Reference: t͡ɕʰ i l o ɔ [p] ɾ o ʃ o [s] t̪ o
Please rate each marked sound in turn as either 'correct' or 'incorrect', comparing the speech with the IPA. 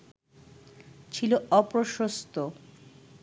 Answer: correct, correct

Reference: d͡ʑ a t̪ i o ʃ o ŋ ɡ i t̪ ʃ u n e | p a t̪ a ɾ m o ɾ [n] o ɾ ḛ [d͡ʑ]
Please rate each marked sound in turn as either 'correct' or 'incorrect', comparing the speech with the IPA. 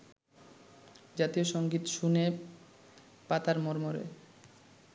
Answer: incorrect: m, incorrect: none

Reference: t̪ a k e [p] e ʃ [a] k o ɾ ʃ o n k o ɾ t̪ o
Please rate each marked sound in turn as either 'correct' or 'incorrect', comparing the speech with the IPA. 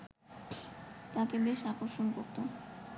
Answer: incorrect: b, correct

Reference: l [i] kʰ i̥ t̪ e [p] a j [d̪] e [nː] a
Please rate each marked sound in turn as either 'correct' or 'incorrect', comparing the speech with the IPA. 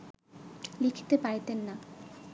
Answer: correct, correct, incorrect: t̪, correct

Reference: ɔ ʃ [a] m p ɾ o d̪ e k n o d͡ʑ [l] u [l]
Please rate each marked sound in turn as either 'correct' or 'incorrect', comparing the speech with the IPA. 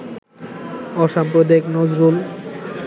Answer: correct, incorrect: ɾ, correct

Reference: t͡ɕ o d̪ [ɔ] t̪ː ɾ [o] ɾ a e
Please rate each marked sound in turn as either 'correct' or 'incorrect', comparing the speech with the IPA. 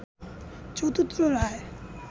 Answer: incorrect: u, correct

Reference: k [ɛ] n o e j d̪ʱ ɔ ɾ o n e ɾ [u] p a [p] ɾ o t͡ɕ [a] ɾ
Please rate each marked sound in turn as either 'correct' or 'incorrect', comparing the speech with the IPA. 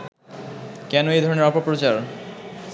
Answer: correct, incorrect: ɔ, correct, correct

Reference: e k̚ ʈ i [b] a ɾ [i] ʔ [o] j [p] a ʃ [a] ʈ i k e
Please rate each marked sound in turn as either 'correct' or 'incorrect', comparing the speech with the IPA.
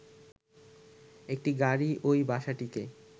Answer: incorrect: ɡ, correct, correct, incorrect: b, correct

